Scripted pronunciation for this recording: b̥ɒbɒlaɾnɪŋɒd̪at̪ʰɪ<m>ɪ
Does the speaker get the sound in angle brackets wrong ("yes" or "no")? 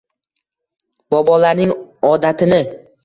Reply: yes